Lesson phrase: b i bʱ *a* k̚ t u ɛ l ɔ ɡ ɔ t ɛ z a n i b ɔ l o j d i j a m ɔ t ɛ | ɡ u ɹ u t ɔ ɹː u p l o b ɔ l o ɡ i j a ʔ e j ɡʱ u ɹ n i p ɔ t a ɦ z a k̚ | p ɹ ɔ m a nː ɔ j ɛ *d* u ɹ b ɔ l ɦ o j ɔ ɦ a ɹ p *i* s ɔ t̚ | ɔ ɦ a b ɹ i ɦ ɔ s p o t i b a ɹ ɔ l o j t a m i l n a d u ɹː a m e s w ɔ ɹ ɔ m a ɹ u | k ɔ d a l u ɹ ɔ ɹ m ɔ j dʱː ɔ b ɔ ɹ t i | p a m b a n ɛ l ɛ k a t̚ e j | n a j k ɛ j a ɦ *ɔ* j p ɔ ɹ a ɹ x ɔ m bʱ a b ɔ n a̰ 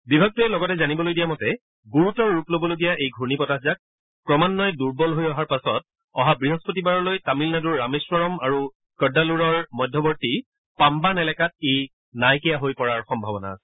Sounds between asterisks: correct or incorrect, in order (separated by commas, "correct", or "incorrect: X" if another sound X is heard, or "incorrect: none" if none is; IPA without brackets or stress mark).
correct, correct, incorrect: a, incorrect: o